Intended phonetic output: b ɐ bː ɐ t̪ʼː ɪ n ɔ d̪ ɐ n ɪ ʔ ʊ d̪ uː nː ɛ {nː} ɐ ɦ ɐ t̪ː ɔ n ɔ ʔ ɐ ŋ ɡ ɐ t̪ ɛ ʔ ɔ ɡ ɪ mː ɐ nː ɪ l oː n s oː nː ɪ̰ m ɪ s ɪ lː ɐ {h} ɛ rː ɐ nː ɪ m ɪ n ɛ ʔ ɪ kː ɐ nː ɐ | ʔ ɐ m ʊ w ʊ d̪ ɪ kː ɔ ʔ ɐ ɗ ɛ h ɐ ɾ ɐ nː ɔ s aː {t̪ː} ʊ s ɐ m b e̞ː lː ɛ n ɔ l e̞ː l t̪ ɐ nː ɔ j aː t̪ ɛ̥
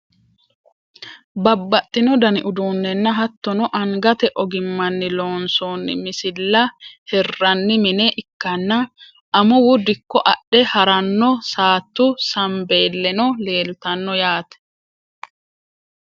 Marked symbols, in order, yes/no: yes, yes, yes

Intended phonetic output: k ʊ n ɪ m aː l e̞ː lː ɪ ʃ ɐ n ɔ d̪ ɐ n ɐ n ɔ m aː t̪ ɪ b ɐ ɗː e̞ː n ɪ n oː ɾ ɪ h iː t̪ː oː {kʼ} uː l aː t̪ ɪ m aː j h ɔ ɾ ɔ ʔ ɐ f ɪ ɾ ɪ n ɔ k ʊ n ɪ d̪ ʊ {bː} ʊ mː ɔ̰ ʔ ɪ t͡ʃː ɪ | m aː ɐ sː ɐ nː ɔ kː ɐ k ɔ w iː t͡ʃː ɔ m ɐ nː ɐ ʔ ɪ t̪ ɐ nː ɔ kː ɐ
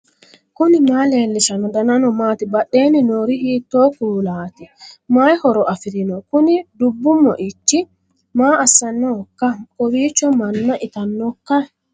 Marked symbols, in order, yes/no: no, yes

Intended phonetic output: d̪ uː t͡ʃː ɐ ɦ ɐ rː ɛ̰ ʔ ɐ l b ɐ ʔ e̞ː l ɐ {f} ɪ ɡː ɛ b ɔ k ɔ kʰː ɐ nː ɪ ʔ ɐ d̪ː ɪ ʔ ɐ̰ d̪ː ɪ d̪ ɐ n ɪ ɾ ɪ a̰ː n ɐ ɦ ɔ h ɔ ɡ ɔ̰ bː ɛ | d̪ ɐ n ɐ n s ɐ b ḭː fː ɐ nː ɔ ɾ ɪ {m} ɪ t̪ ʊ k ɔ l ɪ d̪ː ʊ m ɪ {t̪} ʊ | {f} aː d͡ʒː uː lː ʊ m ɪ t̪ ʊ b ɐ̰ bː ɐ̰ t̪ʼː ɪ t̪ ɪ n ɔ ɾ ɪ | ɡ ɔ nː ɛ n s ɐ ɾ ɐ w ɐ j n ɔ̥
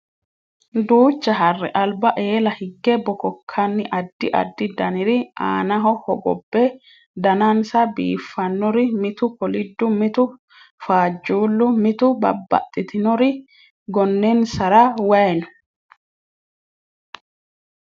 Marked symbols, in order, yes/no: no, yes, yes, yes

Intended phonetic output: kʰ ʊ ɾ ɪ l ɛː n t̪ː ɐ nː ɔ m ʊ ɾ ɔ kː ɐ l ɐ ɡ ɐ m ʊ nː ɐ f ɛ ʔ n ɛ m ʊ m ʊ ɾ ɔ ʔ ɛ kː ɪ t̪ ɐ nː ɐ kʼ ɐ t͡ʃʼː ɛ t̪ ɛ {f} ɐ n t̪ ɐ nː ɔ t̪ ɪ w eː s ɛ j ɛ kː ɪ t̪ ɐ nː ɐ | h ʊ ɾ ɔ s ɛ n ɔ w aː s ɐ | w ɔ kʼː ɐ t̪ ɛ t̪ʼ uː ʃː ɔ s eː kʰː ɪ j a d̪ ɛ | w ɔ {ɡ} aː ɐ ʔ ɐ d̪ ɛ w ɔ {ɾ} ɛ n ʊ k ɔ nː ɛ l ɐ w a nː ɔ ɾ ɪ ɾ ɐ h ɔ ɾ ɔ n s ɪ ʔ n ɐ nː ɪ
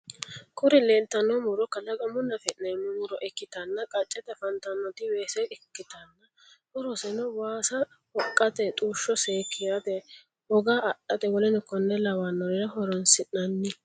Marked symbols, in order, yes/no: yes, yes, no

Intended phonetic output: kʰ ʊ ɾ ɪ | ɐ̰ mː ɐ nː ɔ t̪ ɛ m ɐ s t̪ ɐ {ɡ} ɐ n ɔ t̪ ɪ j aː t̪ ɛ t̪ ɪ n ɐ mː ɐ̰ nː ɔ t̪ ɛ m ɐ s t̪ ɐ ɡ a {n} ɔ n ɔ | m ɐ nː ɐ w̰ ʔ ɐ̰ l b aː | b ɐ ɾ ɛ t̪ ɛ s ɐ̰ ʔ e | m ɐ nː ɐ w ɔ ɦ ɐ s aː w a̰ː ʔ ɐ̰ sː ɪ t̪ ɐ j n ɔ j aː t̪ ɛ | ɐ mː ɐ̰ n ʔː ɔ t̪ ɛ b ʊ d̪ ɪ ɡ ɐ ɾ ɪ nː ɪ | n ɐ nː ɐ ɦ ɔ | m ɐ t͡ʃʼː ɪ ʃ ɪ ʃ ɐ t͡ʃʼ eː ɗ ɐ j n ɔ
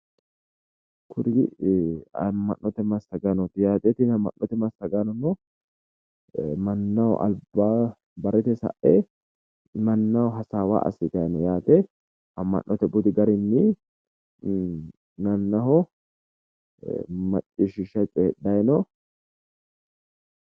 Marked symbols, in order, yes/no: yes, yes

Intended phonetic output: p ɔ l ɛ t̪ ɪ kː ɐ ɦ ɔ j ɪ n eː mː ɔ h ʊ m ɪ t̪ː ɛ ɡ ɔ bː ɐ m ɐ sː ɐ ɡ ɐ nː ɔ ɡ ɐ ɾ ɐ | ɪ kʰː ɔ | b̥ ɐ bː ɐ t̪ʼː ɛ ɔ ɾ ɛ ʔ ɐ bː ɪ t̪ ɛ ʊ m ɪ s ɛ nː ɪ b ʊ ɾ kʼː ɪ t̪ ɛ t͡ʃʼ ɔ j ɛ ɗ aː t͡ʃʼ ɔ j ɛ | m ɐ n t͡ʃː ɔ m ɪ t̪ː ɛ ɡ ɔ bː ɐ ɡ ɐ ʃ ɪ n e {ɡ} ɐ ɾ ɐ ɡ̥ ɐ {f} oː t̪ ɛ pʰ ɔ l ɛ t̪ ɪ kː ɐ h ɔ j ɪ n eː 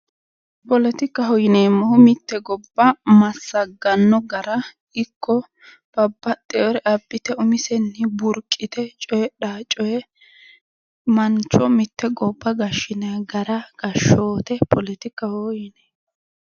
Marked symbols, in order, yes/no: yes, no

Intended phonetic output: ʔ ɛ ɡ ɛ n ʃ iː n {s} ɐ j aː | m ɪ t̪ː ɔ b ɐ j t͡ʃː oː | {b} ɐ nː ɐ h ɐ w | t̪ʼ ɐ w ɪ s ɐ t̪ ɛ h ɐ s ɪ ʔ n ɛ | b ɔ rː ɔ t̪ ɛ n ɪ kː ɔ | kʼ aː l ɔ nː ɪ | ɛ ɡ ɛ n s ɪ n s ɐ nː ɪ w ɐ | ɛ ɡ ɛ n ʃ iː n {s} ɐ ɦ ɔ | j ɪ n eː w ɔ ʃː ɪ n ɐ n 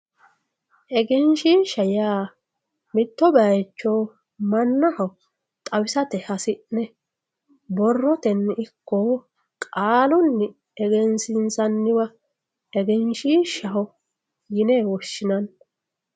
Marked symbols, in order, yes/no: no, no, no

